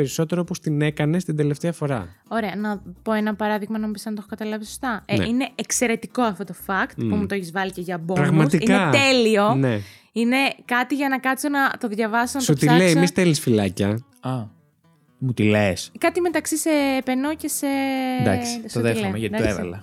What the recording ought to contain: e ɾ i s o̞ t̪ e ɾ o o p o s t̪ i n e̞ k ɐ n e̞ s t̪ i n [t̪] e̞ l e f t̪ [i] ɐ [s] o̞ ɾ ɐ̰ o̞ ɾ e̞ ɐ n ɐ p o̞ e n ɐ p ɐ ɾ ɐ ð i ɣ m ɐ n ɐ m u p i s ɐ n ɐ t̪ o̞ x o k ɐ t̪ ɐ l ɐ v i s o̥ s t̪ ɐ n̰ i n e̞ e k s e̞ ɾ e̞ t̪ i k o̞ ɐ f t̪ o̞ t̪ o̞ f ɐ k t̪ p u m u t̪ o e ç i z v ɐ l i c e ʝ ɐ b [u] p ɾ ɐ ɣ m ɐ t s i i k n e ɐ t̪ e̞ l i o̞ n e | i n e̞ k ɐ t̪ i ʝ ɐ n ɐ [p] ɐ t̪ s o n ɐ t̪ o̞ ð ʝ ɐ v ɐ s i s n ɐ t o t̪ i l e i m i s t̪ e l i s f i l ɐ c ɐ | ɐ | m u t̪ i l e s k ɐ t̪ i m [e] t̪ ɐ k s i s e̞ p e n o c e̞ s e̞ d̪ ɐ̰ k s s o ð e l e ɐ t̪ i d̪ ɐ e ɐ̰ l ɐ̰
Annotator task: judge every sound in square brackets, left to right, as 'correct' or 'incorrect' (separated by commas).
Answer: incorrect, incorrect, incorrect, incorrect, incorrect, correct